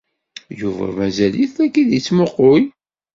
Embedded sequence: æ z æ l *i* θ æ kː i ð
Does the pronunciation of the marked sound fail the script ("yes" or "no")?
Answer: no